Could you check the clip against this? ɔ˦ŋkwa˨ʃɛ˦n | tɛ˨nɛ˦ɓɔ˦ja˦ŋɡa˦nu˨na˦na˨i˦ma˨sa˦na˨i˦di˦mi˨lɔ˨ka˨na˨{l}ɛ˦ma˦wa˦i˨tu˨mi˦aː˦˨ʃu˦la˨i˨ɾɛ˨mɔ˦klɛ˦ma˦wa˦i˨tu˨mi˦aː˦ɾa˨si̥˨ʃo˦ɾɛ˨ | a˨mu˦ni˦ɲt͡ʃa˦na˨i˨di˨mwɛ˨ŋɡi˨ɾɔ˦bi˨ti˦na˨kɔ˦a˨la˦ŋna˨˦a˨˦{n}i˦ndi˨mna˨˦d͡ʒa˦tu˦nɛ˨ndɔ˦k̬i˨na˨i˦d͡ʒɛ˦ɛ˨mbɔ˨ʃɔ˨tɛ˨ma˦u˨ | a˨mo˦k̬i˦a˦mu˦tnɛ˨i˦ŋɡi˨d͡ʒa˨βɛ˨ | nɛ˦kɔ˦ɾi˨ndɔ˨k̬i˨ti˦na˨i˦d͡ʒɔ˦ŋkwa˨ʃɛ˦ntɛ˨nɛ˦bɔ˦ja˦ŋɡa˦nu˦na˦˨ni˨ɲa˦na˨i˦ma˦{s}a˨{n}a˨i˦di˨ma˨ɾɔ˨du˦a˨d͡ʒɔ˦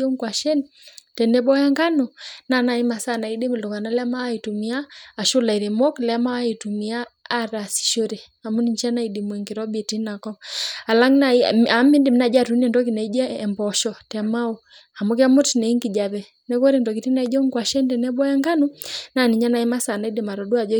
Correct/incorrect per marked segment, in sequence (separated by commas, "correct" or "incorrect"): correct, incorrect, correct, correct